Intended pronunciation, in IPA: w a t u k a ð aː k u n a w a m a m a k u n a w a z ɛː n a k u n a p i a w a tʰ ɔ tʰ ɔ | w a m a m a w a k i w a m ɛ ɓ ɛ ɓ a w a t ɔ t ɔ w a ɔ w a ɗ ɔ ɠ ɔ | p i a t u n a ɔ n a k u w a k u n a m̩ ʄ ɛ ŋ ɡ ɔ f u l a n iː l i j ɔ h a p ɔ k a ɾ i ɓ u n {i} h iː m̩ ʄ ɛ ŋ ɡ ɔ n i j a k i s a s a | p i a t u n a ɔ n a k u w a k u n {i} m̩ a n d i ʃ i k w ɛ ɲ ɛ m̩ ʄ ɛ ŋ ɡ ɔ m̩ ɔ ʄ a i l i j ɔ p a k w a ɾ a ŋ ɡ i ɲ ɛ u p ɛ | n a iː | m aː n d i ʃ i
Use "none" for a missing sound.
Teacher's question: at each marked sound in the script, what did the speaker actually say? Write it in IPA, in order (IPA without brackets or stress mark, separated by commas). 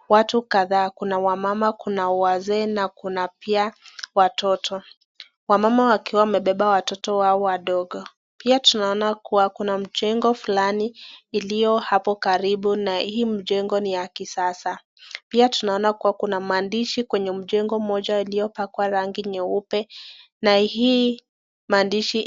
a, a